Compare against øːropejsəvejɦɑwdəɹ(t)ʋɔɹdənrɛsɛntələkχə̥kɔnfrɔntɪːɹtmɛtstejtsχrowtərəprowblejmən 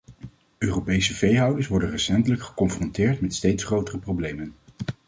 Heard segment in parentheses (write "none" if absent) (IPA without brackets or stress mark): s